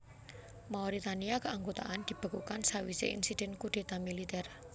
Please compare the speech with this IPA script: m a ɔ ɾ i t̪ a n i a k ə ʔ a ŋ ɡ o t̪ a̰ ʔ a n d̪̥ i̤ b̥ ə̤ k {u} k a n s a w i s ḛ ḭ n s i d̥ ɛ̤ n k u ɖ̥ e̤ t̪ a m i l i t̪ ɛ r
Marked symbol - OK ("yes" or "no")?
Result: yes